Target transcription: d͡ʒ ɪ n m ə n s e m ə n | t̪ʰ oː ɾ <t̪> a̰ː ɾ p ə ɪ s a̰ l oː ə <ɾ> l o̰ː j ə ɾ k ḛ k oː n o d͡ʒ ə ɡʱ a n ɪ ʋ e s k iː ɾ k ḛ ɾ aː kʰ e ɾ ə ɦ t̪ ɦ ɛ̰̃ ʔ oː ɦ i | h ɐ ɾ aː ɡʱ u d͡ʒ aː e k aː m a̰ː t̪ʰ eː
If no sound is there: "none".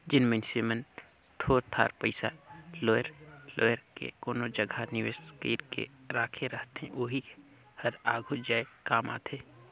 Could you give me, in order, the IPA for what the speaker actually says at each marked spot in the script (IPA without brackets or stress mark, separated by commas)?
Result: t̪ʰ, ɾ